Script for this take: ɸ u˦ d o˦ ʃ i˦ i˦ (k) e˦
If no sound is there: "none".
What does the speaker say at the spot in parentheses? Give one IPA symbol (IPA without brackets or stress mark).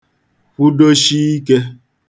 k